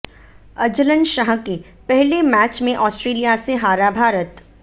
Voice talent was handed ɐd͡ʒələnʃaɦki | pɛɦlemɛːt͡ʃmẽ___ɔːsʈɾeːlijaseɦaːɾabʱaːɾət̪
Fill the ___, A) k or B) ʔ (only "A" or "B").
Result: B